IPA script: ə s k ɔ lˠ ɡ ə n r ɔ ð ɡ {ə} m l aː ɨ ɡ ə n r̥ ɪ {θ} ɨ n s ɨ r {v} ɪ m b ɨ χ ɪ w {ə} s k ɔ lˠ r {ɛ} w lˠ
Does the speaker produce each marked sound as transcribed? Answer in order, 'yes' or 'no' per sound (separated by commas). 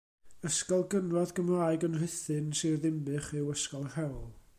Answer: yes, yes, no, yes, yes